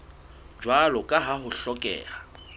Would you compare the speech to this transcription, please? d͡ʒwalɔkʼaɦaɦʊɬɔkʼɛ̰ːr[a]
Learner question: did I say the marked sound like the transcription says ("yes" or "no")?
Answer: yes